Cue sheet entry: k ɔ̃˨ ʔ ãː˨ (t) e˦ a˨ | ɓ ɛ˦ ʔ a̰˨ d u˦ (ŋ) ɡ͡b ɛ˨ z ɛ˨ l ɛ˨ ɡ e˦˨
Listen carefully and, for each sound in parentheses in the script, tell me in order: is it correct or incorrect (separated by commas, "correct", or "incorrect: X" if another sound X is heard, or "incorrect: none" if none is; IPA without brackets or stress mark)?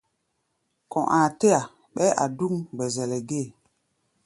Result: correct, correct